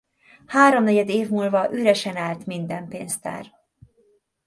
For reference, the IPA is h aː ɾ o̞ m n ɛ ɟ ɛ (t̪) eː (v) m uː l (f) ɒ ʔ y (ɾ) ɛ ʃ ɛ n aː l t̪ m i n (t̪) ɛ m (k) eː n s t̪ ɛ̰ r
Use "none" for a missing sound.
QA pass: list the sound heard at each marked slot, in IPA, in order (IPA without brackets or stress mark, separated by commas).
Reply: d̪, v, v, ɾ, d̪, p